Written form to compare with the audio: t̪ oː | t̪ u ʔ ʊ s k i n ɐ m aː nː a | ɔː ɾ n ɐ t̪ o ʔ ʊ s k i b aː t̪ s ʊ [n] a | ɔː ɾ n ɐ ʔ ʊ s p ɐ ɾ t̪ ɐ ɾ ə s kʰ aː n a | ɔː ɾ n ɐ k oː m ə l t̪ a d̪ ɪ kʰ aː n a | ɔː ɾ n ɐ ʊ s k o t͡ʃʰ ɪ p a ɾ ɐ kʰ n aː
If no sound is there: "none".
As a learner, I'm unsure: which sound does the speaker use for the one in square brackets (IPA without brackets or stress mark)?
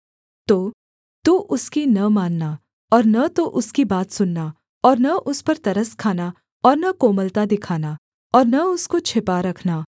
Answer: nː